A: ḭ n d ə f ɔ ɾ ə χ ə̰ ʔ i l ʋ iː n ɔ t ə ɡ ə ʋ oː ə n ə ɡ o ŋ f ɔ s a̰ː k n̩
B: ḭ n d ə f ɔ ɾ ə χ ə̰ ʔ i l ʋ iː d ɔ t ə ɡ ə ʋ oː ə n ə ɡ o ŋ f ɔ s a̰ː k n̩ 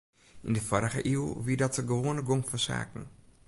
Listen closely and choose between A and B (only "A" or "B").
B